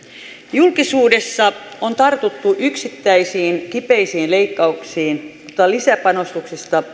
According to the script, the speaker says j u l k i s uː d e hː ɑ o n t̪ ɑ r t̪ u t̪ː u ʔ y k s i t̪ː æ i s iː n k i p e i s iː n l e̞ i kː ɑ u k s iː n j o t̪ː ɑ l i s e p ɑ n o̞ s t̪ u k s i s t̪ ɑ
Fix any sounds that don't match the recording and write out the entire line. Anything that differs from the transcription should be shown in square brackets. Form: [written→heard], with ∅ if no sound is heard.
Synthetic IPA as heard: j u l k i s uː d e [hː→sː] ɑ o n t̪ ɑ r t̪ u t̪ː u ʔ y k s i t̪ː æ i s iː n k i p e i s iː n l e̞ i kː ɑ u k s iː n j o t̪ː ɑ l i s [e→æ] p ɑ n o̞ s t̪ u k s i s t̪ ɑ

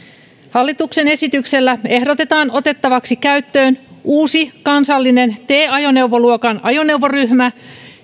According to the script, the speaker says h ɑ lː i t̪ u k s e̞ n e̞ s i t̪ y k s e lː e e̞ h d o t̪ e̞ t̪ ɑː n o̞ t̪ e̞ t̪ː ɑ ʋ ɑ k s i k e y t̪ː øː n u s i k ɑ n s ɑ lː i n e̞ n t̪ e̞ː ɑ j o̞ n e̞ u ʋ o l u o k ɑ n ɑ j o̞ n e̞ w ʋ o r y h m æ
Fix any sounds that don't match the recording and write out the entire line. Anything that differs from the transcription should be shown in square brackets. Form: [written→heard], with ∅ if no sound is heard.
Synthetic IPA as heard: h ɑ lː i t̪ u k s e̞ n e̞ s i t̪ y k s e lː [e→æ] e̞ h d o t̪ e̞ t̪ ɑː n o̞ t̪ e̞ t̪ː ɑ ʋ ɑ k s i k [e→æ] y t̪ː øː n [u→uː] s i k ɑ n s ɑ lː i n e̞ n t̪ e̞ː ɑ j o̞ n e̞ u ʋ o l u o k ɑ n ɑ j o̞ n e̞ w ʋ o r y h m æ

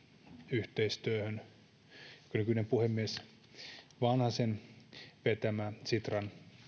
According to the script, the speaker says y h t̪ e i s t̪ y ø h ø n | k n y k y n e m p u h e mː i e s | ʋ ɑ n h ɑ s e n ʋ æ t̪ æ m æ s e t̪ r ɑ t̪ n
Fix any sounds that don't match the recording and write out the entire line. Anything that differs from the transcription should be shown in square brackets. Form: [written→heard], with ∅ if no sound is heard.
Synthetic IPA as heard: y h t̪ e i s t̪ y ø h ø n | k n y k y n e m p u h e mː i e s | ʋ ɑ n h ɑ s e n ʋ [æ→e] t̪ æ m æ s [e→i] t̪ r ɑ [t̪→∅] n

